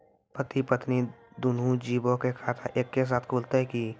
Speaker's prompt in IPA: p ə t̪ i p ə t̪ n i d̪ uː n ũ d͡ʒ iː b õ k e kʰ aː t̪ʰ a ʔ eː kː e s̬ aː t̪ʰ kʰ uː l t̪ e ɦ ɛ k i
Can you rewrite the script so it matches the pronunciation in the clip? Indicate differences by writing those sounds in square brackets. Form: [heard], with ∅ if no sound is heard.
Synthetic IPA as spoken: p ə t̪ i p ə t̪ n i d̪ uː n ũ d͡ʒ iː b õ k e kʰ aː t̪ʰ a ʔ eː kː e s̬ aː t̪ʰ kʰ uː l t̪ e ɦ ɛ k i